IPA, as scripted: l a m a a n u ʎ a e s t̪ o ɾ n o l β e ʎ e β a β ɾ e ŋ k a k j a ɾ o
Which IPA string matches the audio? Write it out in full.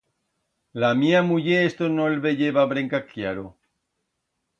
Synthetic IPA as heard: l a m i a m u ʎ e e s t̪ o n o l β e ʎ e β a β ɾ e ŋ k a k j a ɾ o